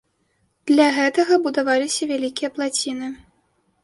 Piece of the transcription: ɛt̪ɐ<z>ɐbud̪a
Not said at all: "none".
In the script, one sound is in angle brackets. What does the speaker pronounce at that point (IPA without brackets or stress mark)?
ɣ